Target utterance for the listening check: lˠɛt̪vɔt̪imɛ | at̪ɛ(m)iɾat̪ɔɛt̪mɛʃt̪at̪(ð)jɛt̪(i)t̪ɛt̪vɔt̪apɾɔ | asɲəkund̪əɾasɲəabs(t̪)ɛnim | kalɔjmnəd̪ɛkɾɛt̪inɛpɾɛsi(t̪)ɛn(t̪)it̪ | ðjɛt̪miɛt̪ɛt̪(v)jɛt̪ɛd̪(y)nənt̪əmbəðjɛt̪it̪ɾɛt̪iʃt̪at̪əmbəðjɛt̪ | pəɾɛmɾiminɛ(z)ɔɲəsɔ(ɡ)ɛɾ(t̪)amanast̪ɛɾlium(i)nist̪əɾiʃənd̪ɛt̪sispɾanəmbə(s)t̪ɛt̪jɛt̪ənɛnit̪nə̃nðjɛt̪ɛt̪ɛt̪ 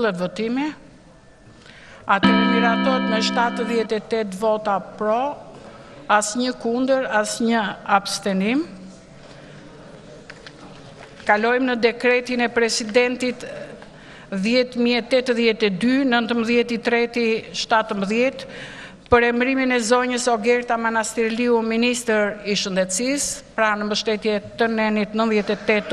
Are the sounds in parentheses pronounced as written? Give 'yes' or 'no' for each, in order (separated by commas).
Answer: yes, yes, no, yes, no, yes, no, yes, yes, yes, yes, yes, no